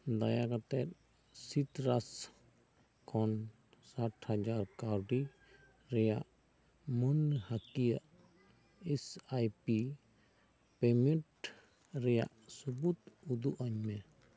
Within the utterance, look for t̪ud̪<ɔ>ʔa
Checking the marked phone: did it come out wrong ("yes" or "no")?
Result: yes